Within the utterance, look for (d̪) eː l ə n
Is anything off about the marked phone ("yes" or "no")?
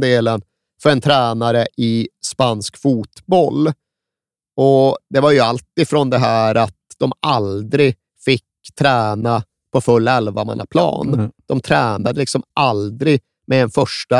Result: no